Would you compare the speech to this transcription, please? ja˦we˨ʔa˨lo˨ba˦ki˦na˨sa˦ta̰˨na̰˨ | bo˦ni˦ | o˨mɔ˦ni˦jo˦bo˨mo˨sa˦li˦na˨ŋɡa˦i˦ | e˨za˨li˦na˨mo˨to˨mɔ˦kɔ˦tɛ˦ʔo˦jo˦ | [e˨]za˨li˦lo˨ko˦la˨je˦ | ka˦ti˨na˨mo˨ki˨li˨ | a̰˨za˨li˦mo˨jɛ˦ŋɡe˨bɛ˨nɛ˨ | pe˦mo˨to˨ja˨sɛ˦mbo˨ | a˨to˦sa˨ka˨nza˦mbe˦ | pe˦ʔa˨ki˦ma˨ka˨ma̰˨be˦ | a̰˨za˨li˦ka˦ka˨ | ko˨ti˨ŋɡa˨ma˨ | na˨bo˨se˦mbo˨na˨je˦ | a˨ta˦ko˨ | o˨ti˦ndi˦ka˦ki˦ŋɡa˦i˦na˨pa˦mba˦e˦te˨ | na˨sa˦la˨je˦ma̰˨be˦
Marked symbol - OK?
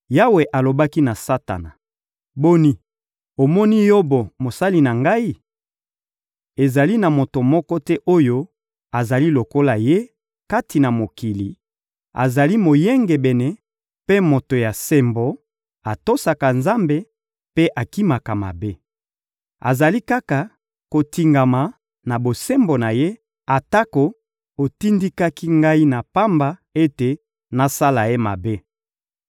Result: no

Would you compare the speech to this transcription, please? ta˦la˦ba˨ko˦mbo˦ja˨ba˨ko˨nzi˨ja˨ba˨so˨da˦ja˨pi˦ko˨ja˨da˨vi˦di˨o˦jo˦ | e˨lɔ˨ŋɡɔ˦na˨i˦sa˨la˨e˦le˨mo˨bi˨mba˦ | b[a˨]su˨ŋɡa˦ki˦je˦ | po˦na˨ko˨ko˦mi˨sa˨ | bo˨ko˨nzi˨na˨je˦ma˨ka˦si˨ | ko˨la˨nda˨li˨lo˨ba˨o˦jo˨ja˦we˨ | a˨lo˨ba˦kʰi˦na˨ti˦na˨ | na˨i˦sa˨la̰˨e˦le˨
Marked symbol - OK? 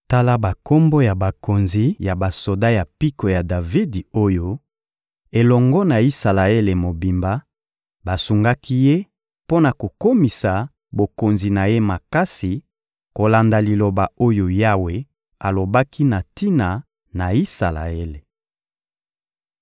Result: yes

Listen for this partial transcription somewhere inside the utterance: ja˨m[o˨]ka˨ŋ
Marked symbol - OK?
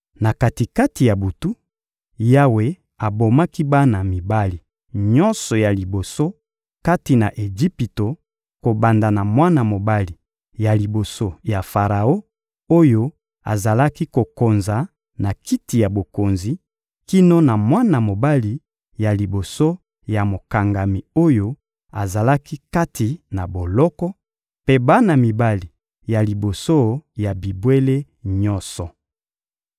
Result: yes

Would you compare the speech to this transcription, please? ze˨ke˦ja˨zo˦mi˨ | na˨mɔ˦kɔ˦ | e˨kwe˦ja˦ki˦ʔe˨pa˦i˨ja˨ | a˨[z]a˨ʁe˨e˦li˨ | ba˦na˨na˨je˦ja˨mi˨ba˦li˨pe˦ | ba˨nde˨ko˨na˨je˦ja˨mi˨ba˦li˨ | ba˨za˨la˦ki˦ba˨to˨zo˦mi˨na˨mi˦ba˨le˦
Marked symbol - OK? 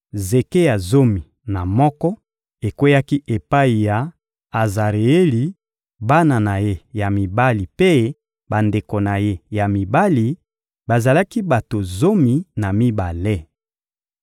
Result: yes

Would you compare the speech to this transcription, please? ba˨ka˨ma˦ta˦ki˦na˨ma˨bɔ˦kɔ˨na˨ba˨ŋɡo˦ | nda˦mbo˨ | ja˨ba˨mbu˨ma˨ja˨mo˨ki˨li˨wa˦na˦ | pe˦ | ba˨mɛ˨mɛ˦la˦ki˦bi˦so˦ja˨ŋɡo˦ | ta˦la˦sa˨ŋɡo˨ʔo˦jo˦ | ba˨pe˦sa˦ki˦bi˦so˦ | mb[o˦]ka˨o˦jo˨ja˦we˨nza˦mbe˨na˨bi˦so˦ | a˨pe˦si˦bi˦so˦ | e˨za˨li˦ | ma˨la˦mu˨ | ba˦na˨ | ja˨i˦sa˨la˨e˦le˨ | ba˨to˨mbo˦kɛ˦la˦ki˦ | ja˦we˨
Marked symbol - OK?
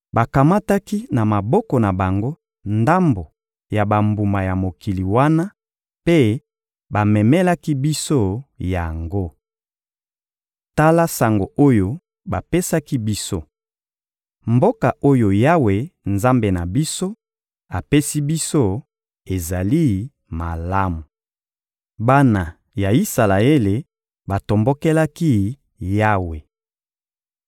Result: yes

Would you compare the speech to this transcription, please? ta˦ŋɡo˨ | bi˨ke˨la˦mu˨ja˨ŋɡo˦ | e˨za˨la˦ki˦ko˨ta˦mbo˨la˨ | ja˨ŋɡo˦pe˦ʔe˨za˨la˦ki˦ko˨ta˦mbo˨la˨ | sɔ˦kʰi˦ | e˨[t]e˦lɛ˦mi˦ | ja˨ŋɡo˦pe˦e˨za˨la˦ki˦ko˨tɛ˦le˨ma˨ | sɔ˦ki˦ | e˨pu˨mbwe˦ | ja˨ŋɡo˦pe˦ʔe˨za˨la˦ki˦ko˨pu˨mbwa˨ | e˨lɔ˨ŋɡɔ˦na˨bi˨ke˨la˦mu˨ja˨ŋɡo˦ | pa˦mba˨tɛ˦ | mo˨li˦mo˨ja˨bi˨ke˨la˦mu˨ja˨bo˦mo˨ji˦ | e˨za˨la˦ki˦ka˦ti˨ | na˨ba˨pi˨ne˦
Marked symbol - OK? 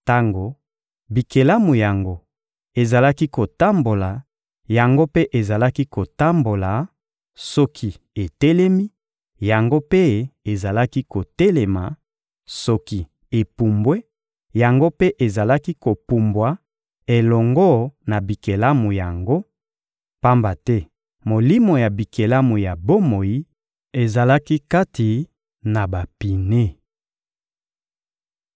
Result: yes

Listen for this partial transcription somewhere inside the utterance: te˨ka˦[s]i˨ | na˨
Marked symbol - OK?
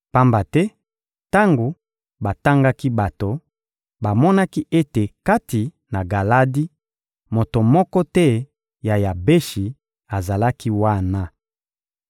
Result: no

